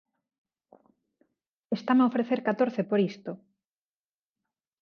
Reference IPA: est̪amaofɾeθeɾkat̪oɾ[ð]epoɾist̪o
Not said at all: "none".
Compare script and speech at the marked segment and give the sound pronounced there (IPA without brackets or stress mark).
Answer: θ